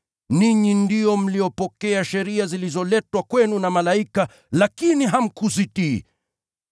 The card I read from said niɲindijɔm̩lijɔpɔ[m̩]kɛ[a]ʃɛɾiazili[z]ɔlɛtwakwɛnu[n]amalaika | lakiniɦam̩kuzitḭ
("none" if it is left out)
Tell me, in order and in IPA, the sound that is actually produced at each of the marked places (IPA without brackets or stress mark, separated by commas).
none, a, z, n